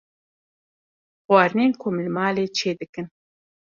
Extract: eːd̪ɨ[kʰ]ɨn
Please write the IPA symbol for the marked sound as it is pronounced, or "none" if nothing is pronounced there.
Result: k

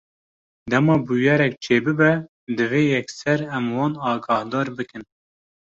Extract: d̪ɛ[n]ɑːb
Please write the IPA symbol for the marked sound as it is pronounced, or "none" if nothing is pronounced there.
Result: m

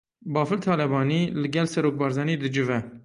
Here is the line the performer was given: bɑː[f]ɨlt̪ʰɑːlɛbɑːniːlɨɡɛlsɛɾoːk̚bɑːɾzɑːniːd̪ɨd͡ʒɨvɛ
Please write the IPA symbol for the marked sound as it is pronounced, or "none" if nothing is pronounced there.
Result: f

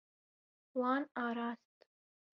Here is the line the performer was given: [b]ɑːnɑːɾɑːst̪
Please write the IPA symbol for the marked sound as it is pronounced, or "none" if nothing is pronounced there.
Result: w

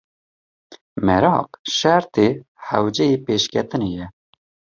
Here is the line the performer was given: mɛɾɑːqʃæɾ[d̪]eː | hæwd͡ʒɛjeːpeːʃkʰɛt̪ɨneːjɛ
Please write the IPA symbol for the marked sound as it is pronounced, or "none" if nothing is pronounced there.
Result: t̪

